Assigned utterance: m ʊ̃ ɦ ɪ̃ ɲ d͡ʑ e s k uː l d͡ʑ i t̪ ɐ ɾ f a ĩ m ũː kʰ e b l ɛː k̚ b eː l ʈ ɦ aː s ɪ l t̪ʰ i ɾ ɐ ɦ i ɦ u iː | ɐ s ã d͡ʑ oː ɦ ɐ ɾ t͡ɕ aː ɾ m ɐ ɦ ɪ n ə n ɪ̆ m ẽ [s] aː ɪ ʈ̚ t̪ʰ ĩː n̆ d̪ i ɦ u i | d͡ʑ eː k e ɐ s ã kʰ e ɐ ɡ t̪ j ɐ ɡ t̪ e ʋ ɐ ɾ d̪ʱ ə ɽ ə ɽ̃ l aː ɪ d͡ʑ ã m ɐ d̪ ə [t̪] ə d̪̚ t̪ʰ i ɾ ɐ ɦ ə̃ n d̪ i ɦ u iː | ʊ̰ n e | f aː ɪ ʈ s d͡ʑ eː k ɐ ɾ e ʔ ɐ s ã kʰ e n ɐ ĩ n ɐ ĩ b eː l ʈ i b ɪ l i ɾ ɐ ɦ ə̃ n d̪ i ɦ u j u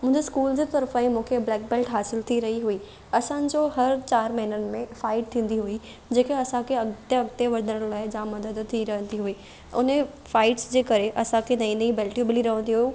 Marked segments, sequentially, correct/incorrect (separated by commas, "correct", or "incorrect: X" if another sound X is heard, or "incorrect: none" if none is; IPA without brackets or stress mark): incorrect: f, incorrect: d̪